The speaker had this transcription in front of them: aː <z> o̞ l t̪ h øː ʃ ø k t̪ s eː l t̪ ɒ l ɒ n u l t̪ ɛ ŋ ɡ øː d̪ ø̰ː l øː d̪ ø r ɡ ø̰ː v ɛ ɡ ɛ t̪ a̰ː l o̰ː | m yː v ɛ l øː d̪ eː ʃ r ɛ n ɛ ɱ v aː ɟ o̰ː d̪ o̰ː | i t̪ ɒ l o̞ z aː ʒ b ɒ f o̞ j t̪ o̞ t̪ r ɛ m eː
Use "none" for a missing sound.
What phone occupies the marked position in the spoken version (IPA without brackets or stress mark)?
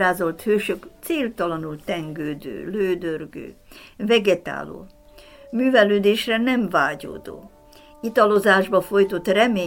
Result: z